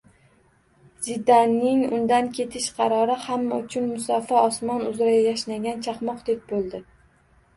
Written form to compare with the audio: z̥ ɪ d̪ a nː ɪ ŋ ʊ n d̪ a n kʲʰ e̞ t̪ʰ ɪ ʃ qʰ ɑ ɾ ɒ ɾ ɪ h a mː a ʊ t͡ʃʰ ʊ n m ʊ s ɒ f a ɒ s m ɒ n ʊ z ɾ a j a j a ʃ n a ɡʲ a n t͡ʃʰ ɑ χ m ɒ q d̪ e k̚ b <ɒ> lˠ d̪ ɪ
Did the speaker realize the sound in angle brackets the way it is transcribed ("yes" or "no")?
no